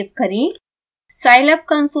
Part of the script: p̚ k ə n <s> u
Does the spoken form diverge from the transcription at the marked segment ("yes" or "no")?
no